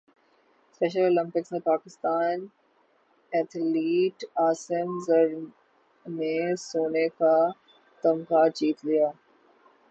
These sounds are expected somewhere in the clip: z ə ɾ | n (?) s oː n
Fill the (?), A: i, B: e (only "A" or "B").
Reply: B